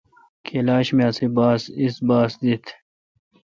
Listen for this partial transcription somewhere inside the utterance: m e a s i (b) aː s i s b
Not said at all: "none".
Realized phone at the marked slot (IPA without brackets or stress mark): b